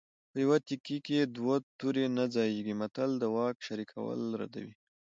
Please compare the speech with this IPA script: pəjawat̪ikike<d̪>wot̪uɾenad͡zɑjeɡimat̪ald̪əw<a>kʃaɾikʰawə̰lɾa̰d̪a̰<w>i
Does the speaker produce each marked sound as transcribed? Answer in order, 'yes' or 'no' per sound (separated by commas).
yes, no, yes